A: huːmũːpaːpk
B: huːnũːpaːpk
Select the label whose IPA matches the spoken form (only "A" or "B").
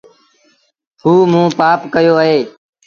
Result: A